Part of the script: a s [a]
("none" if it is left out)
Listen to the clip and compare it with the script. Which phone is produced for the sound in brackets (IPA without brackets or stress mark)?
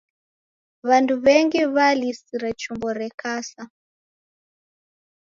a